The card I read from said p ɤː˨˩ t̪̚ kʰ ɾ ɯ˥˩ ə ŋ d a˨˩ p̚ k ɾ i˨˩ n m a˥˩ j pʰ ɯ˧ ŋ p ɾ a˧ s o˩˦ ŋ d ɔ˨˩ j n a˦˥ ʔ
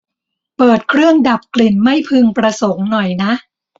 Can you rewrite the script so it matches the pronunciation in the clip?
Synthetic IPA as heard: p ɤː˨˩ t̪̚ kʰ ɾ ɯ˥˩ ə ŋ d a˨˩ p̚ k l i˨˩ n m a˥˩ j pʰ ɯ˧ ŋ p ɾ a˧ s o˩˦ ŋ n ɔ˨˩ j n a˦˥ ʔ